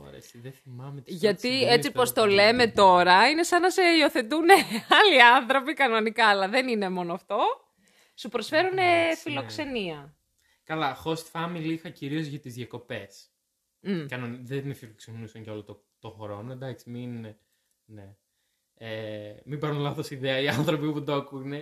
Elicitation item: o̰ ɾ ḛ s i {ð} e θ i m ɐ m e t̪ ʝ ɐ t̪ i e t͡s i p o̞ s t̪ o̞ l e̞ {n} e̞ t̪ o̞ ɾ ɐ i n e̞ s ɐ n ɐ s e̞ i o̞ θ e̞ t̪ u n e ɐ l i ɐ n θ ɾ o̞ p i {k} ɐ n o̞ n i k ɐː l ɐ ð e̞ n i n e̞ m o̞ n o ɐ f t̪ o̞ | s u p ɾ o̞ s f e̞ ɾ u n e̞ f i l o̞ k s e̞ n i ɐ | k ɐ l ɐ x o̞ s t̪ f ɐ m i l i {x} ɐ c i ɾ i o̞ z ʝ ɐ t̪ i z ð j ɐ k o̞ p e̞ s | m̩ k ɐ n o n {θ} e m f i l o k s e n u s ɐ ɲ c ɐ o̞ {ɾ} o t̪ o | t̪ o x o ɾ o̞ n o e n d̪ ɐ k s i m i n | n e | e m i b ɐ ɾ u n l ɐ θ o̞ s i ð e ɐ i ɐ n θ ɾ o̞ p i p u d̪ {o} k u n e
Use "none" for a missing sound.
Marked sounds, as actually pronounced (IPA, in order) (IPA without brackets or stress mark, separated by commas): ð, m, k, x, ð, l, o